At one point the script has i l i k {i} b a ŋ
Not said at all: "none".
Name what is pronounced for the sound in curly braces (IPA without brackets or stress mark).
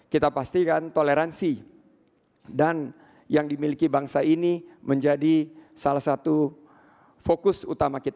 i